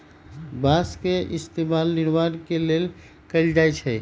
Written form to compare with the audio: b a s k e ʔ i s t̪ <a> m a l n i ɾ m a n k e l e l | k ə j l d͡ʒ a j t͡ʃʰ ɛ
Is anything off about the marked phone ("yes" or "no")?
yes